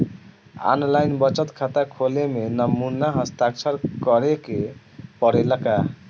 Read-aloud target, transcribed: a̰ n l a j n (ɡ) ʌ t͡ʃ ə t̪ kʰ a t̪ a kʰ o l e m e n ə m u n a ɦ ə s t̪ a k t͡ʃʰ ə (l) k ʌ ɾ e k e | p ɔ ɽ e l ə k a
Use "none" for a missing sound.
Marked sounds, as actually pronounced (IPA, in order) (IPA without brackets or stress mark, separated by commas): b, ɾ